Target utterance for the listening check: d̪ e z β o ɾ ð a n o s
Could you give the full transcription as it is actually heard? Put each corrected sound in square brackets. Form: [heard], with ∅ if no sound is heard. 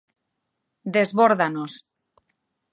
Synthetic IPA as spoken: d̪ e z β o ɾ ð a n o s